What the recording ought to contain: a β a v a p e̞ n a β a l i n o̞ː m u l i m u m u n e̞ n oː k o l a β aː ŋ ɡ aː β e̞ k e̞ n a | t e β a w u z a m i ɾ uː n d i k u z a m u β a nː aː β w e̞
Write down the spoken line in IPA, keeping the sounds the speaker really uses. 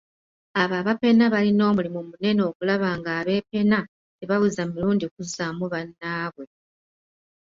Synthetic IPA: a β a β a p e̞ n a β a l i n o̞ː m u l i m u m u n e̞ n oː k u l a β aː ŋ ɡ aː β e̞ p e̞ n a | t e β a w u z a m i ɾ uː n d i k u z a m u β a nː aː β w e̞